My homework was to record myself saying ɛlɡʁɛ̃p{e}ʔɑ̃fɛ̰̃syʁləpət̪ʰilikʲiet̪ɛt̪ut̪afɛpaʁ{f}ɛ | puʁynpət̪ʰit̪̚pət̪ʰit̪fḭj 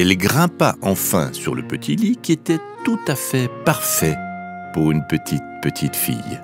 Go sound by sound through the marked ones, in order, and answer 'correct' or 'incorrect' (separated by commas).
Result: incorrect, correct